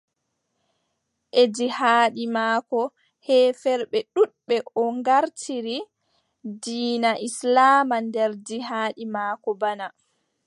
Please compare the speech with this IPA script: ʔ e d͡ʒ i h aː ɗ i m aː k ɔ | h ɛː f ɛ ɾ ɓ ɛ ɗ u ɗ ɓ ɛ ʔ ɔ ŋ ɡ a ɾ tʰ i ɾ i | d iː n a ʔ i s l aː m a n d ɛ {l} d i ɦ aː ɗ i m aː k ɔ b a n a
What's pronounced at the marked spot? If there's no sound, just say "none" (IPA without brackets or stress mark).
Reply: ɾ